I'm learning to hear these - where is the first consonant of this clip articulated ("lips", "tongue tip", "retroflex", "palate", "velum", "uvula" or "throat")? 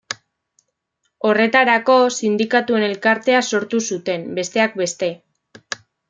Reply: tongue tip